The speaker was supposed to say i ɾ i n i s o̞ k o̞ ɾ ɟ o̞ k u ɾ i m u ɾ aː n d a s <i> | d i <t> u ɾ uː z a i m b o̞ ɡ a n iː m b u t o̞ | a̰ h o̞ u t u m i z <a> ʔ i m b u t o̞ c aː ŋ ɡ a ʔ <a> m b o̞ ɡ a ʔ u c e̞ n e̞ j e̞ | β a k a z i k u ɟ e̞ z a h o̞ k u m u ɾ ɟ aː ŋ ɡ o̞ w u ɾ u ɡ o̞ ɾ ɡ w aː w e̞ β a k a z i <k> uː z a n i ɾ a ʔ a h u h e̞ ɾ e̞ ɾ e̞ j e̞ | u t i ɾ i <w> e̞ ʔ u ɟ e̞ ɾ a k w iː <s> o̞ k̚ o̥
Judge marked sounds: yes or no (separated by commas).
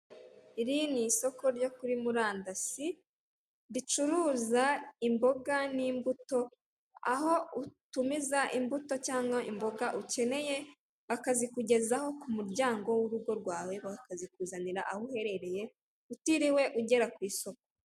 yes, no, yes, no, yes, yes, yes